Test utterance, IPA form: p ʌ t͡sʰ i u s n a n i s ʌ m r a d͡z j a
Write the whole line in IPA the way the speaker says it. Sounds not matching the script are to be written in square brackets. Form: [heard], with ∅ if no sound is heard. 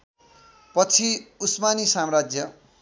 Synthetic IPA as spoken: p ʌ t͡sʰ i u s [m] a n i s [a] m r a d͡z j [ʌ]